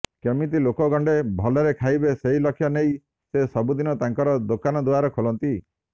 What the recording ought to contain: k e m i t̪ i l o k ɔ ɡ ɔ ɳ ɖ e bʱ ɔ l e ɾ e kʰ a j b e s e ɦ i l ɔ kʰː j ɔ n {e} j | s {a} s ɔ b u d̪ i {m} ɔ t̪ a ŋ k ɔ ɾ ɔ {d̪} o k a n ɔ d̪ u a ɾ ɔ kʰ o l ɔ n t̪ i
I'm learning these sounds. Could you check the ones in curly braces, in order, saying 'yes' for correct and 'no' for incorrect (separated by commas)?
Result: yes, no, no, yes